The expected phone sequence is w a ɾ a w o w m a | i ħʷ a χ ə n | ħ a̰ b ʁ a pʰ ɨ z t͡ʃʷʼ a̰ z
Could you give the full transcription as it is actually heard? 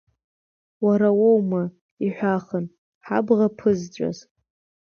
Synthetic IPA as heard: w a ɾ a w o w m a | i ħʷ a χ ə n | ħ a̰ b ʁ a pʰ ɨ z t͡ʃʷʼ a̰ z